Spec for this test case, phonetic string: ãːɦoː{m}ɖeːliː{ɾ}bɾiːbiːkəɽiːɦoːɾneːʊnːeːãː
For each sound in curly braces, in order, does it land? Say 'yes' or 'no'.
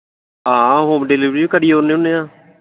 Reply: yes, no

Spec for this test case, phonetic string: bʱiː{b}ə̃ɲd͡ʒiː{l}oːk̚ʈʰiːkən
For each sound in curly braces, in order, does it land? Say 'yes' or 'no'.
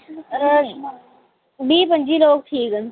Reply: no, yes

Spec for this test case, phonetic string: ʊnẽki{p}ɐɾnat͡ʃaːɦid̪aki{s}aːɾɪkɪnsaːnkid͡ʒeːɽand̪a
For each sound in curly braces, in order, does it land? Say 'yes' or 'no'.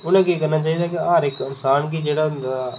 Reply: no, no

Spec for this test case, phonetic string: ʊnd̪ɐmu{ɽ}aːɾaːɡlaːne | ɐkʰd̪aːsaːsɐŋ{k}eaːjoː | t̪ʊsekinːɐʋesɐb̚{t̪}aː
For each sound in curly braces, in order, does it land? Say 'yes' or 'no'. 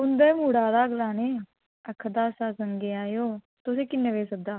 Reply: yes, no, no

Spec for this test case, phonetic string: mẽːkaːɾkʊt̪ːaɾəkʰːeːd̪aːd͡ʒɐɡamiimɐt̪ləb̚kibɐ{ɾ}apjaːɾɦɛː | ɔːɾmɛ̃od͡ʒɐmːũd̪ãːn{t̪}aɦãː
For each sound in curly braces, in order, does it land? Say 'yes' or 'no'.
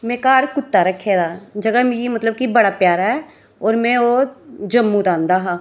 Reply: no, no

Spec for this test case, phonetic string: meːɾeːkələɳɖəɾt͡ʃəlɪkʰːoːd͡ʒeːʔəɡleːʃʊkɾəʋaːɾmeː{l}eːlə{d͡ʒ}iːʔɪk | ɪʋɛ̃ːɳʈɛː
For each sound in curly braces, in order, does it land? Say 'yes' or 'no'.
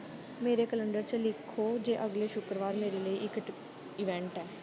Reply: no, no

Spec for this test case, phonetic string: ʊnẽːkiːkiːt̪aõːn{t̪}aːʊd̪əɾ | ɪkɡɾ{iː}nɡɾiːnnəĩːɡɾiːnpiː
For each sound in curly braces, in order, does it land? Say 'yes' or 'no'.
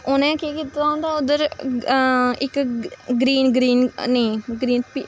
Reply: no, yes

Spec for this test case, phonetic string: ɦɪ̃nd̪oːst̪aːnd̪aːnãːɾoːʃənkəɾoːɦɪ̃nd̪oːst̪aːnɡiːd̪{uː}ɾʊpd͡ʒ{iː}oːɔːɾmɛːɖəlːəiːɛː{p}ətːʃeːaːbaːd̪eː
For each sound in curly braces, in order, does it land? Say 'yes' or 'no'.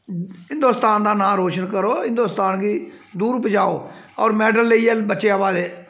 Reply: yes, no, no

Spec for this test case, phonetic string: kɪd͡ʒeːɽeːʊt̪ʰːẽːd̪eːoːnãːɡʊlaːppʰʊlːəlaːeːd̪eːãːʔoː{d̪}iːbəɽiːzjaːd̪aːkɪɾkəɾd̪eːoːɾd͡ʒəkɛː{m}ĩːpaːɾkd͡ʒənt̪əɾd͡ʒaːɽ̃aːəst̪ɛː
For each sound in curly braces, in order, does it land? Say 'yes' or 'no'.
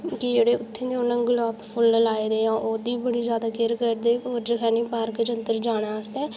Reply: yes, no

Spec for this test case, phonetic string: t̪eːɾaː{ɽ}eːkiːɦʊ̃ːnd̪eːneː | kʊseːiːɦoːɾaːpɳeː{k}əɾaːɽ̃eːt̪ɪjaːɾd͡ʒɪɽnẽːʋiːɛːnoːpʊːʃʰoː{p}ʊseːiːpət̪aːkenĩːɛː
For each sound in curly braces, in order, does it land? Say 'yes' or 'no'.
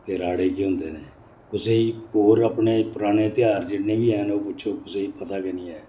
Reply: yes, no, no

